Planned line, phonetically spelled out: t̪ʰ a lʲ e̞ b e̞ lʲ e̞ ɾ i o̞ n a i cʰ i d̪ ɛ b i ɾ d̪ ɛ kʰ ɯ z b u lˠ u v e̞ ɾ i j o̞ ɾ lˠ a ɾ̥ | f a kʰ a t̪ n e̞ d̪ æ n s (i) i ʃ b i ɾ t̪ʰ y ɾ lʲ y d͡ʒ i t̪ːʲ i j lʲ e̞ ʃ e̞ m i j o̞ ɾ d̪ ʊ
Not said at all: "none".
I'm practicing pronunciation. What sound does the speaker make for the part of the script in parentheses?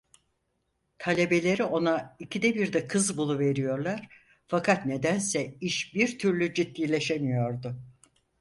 ɛ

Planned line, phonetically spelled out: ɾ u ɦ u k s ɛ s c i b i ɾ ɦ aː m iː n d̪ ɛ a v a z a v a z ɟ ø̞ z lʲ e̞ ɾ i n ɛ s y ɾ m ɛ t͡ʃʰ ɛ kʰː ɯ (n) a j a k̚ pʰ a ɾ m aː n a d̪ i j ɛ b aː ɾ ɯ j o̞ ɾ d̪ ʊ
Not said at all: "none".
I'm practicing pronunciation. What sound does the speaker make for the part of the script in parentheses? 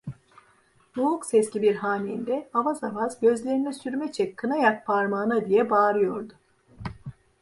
n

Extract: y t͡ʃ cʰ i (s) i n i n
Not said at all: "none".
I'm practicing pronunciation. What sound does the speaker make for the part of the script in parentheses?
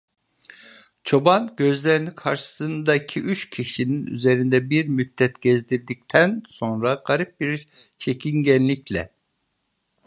ʃ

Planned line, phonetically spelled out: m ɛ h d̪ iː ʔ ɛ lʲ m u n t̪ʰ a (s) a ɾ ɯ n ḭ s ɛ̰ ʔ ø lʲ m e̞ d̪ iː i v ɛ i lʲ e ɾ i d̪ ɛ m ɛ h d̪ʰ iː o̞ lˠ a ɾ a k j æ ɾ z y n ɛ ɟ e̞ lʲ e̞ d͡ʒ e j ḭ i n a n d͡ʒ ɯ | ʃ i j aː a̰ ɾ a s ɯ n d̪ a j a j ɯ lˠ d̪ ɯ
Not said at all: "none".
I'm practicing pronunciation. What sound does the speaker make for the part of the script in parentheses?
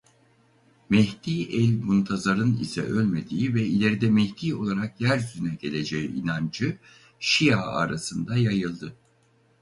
z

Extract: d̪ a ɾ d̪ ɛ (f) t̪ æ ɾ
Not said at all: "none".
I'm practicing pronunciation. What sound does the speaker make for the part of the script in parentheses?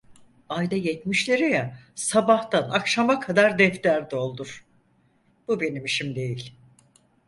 f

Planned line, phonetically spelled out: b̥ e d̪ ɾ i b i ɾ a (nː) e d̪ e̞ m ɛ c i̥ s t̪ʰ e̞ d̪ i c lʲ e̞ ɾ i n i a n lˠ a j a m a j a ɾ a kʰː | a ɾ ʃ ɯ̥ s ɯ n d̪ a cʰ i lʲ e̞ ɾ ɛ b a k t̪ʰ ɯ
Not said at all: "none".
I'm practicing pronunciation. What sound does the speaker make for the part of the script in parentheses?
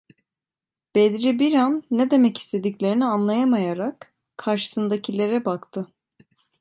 nː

